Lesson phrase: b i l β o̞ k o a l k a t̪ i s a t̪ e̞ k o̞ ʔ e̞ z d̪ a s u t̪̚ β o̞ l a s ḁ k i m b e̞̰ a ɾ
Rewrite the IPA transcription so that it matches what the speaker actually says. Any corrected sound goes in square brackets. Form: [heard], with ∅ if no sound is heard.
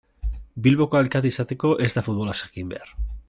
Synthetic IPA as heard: b i l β o̞ k o a l k a t̪ i s a t̪ e̞ k o̞ ʔ e̞ z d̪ a [f] u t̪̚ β o̞ l a s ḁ k i m b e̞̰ a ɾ